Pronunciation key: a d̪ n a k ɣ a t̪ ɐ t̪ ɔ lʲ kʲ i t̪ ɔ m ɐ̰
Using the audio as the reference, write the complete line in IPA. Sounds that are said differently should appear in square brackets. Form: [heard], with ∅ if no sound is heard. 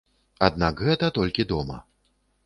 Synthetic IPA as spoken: a d̪ n a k ɣ [ɛ] t̪ ɐ t̪ ɔ lʲ kʲ i [d̪] ɔ m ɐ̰